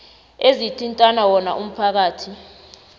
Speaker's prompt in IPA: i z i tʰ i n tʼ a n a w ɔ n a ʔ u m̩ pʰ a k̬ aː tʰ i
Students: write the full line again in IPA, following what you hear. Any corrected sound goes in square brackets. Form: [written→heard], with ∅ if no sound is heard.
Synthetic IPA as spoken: [i→e] z i tʰ i n tʼ a n a w ɔ n a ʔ u m̩ pʰ a k̬ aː tʰ i